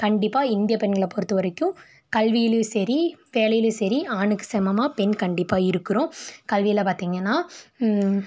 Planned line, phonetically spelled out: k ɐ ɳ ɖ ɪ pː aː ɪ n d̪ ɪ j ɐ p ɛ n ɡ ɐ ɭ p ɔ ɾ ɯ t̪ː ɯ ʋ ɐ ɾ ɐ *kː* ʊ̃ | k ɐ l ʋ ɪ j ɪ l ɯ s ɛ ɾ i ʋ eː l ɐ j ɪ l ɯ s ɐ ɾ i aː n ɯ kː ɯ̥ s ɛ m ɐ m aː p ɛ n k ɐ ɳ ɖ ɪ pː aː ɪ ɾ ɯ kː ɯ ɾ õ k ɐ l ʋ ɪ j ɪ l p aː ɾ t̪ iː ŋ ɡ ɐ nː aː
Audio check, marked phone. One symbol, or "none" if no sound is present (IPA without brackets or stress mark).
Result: kː